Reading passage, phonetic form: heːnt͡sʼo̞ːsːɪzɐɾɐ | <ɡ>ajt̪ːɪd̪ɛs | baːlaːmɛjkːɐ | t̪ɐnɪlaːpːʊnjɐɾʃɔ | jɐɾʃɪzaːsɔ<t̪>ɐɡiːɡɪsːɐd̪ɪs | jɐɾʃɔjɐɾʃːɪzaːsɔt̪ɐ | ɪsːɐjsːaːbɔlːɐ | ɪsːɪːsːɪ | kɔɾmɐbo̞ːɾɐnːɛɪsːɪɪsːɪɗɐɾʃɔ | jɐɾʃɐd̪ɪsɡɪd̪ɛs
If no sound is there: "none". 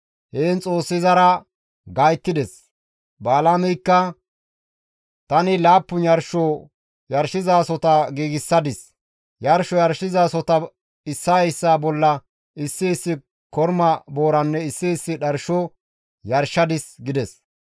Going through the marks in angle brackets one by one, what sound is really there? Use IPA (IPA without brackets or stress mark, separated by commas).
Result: ɡ, t̪